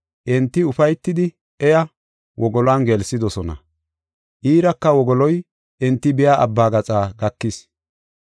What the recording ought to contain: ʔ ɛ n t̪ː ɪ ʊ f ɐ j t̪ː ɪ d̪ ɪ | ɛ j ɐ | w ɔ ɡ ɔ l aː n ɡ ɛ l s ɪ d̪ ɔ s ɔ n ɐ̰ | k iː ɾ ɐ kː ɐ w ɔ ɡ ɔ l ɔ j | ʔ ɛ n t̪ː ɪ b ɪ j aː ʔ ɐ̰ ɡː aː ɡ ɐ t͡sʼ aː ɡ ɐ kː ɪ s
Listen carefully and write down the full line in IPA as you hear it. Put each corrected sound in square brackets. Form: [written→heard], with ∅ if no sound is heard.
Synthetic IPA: ʔ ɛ n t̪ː ɪ ʊ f ɐ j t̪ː ɪ d̪ ɪ | ɛ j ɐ | w ɔ ɡ ɔ l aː n ɡ ɛ l s ɪ d̪ ɔ s ɔ n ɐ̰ | [k→ʔ] iː ɾ ɐ kː ɐ w ɔ ɡ ɔ l ɔ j | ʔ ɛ n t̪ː ɪ b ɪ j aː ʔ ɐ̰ [ɡː→bː] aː ɡ ɐ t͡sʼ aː ɡ ɐ kː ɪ s